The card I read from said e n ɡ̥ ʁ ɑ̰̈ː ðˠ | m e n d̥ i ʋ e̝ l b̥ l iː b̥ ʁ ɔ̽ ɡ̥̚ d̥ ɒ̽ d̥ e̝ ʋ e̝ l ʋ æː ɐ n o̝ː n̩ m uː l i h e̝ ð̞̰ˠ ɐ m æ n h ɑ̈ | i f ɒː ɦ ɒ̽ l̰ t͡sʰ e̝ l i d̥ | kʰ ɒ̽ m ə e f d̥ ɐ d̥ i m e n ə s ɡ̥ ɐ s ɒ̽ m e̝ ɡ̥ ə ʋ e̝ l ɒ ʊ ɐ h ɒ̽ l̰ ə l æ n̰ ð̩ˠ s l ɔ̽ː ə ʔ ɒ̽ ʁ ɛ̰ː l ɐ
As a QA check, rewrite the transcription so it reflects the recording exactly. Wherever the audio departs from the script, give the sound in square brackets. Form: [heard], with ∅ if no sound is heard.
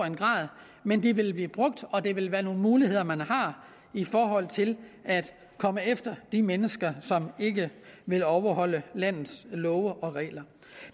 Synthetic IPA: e n ɡ̥ ʁ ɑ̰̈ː ðˠ | m e n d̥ i ʋ e̝ l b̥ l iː b̥ ʁ ɔ̽ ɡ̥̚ d̥ ɒ̽ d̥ e̝ ʋ e̝ l ʋ æː ɐ n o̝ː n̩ m uː l i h e̝ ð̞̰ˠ ɐ m æ n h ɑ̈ | i f ɒː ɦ ɒ̽ l̰ t͡sʰ e̝ l [æ] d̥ | kʰ ɒ̽ m ə e f d̥ ɐ d̥ i m e n ə s ɡ̥ ɐ s ɒ̽ m e̝ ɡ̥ ə ʋ e̝ l ɒ ʊ ɐ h ɒ̽ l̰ ə l æ n̰ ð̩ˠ s l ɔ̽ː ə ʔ ɒ̽ ʁ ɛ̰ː l ɐ